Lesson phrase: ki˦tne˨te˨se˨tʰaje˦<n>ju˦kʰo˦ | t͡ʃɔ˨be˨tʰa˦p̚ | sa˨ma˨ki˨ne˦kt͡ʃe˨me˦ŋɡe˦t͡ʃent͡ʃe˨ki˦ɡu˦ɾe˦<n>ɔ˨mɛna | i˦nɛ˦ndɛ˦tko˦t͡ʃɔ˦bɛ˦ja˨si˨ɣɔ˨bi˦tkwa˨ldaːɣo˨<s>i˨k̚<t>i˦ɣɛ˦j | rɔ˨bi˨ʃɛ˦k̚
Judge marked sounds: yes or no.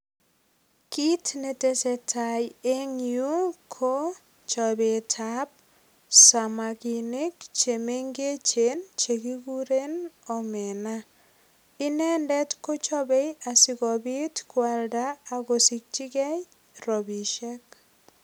no, yes, yes, no

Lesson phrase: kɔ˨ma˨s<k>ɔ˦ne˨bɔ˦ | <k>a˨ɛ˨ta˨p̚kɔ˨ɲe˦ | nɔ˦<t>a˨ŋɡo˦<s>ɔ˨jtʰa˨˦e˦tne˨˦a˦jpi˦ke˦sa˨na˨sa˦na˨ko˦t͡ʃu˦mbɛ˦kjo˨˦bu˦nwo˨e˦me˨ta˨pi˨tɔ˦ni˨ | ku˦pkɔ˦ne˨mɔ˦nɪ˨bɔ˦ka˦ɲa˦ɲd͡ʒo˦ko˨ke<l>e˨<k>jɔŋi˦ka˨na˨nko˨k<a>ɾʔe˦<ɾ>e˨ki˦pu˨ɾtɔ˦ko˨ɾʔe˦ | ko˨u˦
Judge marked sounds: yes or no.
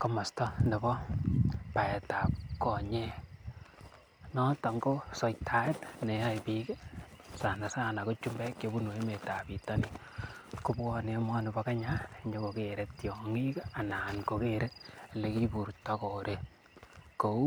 no, no, yes, yes, no, no, no, no

